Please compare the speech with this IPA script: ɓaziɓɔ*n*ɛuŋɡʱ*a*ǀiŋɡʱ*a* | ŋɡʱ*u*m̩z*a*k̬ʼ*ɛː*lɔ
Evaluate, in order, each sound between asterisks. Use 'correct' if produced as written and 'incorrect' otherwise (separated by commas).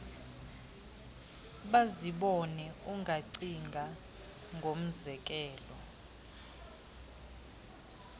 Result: correct, correct, correct, incorrect, incorrect, correct